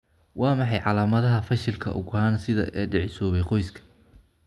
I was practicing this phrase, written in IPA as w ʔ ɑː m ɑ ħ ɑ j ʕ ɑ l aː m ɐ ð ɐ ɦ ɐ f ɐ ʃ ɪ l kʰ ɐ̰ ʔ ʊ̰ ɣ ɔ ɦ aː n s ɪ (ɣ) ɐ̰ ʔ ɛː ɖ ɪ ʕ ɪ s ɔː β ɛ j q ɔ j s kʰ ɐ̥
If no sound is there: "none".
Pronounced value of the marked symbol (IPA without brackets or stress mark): ð